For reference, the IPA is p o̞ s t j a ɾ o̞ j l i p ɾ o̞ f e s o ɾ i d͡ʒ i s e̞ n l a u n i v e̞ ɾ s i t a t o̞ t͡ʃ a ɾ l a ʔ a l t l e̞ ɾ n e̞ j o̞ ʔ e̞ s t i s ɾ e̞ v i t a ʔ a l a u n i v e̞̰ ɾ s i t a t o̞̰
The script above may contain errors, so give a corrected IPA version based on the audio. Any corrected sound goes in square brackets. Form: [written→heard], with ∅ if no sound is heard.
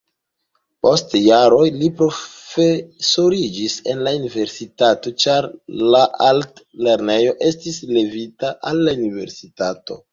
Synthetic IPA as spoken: p o̞ s t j a ɾ o̞ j l i p ɾ o̞ f e s o ɾ i d͡ʒ i s e̞ n l a u n i v e̞ ɾ s i t a t o̞ t͡ʃ a ɾ l a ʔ a l t l e̞ ɾ n e̞ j o̞ ʔ e̞ s t i s [ɾ→l] e̞ v i t a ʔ a [l→lː] a u n i v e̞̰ ɾ s i t a t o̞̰